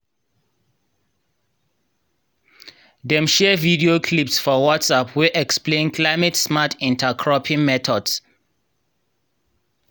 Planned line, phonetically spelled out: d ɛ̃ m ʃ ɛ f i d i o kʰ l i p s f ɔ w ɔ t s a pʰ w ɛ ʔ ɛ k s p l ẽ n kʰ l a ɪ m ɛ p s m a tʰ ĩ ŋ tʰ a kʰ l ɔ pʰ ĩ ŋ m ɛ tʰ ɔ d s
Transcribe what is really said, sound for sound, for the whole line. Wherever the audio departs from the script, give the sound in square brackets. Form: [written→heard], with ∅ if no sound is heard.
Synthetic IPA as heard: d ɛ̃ m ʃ ɛ [f→v] i d i o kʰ l i p s f ɔ w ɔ t s a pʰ w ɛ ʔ ɛ k s p l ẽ n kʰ l a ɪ m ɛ [p→t] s m a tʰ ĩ [ŋ→n] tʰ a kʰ [l→ɹ] ɔ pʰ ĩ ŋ m ɛ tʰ ɔ d s

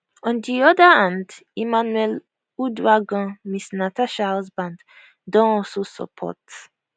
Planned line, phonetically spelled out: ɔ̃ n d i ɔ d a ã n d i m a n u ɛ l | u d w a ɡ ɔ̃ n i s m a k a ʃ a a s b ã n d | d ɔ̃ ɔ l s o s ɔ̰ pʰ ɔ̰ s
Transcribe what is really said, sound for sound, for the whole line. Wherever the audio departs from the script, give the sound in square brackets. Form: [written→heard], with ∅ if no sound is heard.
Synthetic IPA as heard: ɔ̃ n d i ɔ d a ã n d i m a n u ɛ l | u d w a ɡ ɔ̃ [n→m] i s [m→n] a [k→t] a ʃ a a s b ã n d | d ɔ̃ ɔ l s o s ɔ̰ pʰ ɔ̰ [s→t]

